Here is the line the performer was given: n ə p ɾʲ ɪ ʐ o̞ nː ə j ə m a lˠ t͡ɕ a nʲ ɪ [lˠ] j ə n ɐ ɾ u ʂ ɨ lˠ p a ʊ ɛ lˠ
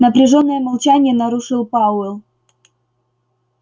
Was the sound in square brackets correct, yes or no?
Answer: no